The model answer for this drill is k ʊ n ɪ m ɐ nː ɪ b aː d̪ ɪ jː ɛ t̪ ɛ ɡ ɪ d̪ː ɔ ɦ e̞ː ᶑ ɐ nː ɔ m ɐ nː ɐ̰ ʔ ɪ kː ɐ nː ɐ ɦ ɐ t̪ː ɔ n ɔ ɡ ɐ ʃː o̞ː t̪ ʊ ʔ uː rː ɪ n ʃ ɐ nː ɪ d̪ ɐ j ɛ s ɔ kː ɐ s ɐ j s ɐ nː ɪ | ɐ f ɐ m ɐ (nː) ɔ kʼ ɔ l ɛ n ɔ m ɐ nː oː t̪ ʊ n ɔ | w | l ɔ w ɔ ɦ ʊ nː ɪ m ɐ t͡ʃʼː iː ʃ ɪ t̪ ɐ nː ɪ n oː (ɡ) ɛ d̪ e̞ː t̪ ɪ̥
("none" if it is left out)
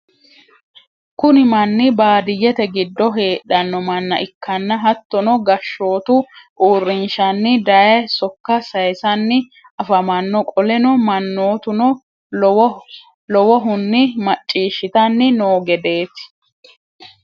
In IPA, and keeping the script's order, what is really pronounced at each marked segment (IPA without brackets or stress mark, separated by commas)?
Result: nː, ɡ